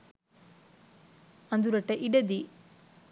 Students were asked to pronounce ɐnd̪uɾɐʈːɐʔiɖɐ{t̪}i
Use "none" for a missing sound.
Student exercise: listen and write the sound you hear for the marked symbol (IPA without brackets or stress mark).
d̪